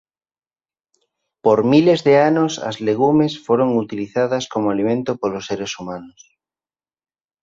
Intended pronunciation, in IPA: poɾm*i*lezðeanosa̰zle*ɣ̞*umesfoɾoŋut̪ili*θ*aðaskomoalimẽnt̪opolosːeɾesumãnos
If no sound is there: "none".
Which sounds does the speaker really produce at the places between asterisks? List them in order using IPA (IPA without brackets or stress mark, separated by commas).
i, ɣ̞, θ